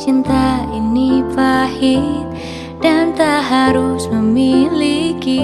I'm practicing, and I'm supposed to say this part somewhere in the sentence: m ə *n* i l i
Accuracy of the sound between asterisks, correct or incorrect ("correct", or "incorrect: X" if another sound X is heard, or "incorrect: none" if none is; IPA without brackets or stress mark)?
incorrect: m